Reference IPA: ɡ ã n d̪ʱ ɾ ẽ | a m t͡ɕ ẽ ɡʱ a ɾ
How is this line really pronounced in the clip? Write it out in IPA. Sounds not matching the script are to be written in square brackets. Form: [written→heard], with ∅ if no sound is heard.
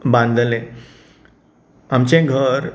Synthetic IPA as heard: [ɡ→b] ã n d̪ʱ [ɾ→l] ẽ | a m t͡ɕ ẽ ɡʱ [a→ə] ɾ

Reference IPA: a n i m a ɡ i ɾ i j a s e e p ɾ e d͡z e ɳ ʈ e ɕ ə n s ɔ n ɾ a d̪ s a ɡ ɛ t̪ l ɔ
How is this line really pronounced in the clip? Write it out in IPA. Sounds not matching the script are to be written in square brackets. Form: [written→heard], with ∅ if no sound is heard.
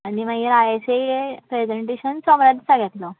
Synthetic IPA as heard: a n i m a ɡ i ɾ [i→a] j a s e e p ɾ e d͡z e ɳ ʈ e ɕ ə n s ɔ [n→m] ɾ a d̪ s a ɡ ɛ t̪ l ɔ

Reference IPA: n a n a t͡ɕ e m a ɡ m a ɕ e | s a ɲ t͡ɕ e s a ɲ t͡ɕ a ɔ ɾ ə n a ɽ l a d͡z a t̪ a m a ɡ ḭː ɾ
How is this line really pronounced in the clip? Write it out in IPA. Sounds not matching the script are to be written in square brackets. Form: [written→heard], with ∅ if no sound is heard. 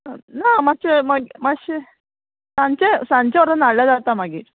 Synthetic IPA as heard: n a [n→m] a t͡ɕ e m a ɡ m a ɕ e | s a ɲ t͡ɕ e s a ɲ t͡ɕ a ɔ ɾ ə n a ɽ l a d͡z a t̪ a m a ɡ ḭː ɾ

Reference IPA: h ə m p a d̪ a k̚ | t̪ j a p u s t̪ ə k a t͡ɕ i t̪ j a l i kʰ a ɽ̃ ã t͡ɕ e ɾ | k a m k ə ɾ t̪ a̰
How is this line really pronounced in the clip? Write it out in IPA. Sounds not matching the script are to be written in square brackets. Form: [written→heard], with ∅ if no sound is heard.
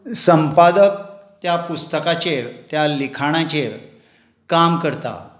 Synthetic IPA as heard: [h→s] ə m p a d̪ [a→ə] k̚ | t̪ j a p u s t̪ ə k a t͡ɕ [i→e] t̪ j a l i kʰ a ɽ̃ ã t͡ɕ e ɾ | k a m k ə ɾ t̪ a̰

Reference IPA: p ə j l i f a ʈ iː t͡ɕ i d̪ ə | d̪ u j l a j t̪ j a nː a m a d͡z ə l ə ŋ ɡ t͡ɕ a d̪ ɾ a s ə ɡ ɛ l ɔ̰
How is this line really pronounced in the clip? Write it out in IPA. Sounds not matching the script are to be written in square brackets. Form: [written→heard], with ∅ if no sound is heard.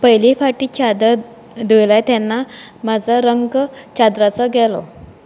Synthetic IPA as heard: p ə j l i f a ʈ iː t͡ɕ [i→a] d̪ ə | d̪ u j l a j t̪ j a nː a m a d͡z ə [l→ɾ] ə ŋ ɡ t͡ɕ a d̪ ɾ a [s→t͡s] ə ɡ ɛ l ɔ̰

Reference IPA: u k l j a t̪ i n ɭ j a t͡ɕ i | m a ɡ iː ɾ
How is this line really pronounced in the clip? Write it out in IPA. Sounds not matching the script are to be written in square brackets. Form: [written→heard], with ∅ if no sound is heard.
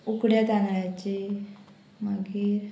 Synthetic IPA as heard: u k [l→ɽ] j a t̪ [i→a] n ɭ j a t͡ɕ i | m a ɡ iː ɾ

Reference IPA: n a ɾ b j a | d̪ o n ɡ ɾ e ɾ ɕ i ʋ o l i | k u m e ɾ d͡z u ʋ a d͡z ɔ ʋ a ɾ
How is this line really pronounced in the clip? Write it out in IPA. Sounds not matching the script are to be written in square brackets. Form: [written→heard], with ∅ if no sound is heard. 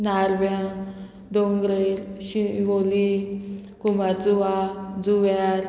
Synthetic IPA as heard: n a ɾ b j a | d̪ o [n→ŋ] ɡ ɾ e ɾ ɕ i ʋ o l i | k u m [e→a] ɾ d͡z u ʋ a d͡z [ɔ→u] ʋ a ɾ

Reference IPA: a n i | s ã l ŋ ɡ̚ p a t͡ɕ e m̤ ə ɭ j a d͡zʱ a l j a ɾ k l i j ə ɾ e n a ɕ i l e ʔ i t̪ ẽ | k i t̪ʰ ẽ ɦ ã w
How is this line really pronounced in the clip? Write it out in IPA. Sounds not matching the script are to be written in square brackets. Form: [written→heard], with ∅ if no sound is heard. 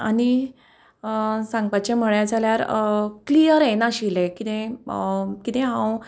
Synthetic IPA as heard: a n i | s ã [l→∅] ŋ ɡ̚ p a t͡ɕ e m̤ ə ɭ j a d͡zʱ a l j a ɾ k l i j ə ɾ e n a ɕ i l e [ʔ→k] i t̪ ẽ | k i [t̪ʰ→t̪] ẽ ɦ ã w

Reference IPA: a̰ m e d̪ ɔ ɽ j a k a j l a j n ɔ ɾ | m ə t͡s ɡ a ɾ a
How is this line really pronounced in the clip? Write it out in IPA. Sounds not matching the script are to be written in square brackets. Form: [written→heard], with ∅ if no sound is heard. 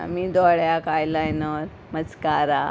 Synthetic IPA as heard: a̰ m [e→i] d̪ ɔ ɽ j a k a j l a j n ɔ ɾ | m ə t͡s [ɡ→k] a ɾ a

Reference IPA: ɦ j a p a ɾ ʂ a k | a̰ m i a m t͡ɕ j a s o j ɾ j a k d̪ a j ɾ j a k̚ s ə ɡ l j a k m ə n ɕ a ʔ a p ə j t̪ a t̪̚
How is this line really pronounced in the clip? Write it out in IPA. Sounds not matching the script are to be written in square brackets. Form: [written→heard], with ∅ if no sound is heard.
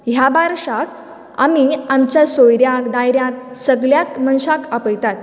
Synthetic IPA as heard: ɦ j a [p→b] a ɾ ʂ a k | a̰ m i a m t͡ɕ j a s o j ɾ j a k d̪ a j ɾ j a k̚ s ə ɡ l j a k m ə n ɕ a [ʔ→k] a p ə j t̪ a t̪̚

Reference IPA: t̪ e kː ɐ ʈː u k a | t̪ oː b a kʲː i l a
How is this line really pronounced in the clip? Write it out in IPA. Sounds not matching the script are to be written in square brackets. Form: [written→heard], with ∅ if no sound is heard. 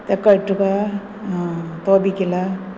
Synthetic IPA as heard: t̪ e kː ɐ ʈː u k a | t̪ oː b [a→i] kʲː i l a

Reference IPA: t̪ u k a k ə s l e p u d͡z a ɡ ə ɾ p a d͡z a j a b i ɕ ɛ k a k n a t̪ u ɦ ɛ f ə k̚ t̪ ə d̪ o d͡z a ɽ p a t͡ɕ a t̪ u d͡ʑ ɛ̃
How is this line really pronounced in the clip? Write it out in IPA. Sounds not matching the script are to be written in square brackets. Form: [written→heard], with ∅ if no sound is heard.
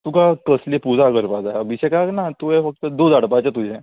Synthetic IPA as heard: t̪ u k a k ə s l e p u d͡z a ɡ ə ɾ p a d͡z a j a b i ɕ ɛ k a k n a t̪ u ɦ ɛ f ə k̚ t̪ ə d̪ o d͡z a ɽ p a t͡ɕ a t̪ u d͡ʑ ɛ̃

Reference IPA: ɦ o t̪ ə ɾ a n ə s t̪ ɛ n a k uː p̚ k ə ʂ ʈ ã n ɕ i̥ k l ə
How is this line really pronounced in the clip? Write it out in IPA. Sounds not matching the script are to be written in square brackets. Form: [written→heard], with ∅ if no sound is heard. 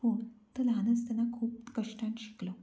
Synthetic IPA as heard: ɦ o t̪ ə [ɾ→l] a n ə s t̪ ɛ n a [k→kʰ] uː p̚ k ə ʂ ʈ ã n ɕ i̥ k l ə

